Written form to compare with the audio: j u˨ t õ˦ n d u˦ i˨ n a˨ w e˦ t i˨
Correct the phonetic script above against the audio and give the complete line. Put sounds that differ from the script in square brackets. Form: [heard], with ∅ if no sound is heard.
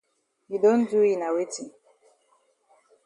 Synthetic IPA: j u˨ [d] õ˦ n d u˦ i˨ n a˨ w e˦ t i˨